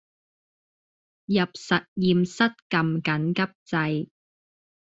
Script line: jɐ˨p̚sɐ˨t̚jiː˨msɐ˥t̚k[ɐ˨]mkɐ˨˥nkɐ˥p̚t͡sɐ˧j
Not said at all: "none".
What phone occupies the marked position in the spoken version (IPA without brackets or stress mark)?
ɐ˨